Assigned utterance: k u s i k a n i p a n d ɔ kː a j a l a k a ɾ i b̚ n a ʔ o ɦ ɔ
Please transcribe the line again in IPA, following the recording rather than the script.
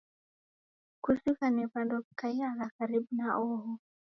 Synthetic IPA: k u s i k a n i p a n d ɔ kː a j a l a k a ɾ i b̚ n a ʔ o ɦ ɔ